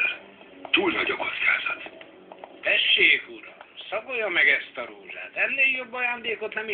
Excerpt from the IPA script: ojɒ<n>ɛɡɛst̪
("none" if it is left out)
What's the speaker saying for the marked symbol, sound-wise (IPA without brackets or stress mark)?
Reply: m